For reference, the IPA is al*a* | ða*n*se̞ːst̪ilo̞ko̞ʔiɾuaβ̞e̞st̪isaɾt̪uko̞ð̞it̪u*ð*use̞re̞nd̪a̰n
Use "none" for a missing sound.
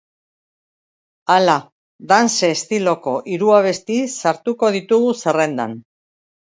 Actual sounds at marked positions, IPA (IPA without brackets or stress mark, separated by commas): a, n, ɣ